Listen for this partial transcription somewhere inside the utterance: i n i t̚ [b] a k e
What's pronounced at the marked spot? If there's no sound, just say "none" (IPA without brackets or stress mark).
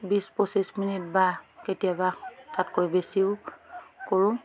b